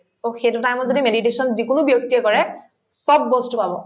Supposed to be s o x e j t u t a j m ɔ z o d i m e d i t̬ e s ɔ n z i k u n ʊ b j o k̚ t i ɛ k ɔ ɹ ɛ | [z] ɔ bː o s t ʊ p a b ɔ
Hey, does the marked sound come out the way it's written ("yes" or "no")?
no